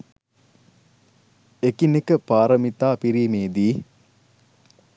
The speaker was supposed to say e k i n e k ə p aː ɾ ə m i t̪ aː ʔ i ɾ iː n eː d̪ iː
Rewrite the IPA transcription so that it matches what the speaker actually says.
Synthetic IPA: e k i n e k ə p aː ɾ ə m i t̪ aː p i ɾ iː m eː d̪ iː